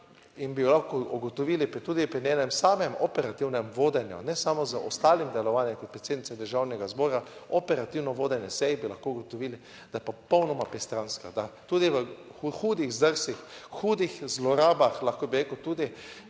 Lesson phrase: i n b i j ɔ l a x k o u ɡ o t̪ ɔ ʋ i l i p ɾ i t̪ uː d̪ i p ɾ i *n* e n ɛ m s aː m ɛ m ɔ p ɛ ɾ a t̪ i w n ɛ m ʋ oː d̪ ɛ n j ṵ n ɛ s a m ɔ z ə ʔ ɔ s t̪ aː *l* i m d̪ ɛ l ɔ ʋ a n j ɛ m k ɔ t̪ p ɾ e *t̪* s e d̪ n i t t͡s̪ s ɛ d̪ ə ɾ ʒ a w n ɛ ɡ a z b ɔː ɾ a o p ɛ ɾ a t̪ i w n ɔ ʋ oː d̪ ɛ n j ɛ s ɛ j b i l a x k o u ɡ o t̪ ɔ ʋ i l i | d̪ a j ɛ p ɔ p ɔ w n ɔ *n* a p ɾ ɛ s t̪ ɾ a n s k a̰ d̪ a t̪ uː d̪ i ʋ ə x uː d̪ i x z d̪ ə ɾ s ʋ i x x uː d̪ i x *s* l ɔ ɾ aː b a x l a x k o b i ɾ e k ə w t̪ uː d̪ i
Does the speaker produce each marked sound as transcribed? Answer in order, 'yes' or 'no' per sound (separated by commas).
yes, yes, yes, no, no